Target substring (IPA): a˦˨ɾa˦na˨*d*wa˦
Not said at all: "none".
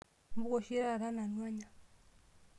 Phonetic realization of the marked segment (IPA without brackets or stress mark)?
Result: n